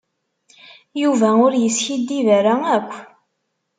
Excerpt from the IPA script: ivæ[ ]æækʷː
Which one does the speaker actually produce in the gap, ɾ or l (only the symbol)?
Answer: ɾ